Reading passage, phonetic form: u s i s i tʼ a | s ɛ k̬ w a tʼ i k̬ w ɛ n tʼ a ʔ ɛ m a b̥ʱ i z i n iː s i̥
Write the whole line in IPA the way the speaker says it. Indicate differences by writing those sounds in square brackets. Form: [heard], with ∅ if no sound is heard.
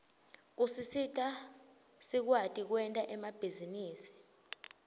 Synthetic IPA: u s i s i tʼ a | s [i] k̬ w a tʼ i k̬ w ɛ n tʼ a ʔ ɛ m a b̥ʱ i z i n iː s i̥